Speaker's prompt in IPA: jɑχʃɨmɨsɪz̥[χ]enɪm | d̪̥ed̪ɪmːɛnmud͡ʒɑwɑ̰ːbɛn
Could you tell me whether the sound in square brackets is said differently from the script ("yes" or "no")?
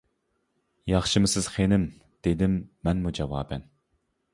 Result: no